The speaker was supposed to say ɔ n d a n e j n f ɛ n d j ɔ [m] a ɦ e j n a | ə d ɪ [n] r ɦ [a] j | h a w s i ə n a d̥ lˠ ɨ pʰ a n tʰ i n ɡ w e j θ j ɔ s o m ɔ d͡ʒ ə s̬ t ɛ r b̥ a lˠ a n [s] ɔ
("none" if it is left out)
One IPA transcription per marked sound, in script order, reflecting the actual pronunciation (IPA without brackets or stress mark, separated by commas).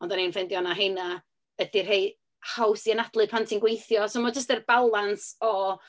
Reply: n, none, e, s